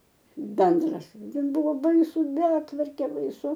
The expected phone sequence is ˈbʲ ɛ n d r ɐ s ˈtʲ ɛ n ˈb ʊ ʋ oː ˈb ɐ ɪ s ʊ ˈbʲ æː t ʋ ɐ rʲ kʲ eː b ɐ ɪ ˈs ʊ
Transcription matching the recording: ˈbʲ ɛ n d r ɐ s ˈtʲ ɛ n ˈb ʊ ʋ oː ˈb ɐ ɪ s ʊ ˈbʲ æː t ʋ ɐ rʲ kʲ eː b ɐ ɪ ˈs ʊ